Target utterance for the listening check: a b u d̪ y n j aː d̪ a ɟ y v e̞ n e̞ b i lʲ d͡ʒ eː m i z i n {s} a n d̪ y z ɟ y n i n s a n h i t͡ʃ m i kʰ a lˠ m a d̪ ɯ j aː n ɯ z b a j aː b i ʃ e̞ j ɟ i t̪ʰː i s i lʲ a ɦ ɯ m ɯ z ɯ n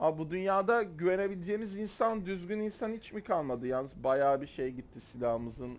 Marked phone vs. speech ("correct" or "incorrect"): correct